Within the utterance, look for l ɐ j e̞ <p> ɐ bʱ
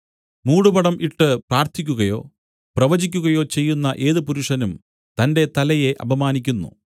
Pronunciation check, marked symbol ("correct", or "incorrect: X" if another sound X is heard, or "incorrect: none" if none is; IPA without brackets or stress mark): incorrect: ʔ